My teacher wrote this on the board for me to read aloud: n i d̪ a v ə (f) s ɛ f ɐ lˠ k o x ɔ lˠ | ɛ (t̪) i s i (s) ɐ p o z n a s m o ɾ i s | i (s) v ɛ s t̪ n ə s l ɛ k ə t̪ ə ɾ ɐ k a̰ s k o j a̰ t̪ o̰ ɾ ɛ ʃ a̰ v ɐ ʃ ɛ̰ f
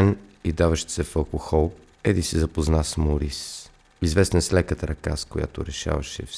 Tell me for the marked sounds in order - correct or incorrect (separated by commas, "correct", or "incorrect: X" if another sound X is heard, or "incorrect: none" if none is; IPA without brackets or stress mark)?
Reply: incorrect: ʃ, incorrect: d̪, incorrect: z, incorrect: z